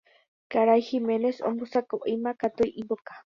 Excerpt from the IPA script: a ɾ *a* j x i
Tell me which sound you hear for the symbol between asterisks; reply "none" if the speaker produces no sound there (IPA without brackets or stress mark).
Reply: a